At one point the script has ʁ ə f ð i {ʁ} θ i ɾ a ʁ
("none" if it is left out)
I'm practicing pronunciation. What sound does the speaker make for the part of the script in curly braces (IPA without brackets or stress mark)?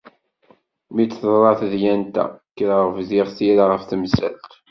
ʁ